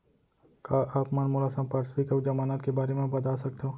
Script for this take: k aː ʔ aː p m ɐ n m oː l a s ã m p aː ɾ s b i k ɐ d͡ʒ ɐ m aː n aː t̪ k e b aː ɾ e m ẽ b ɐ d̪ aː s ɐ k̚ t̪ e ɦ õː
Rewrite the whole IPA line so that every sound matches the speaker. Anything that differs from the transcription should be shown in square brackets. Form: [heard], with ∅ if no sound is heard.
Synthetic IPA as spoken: k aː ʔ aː p m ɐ n m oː l a s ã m p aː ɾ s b i k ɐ d͡ʒ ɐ m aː n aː t̪ k e b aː ɾ e m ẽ b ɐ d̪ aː s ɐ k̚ t̪ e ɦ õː